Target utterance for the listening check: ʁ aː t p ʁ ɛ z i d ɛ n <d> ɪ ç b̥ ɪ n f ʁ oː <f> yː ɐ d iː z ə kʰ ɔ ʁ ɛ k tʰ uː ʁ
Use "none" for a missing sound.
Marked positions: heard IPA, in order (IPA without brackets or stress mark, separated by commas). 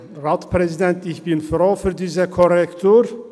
t, f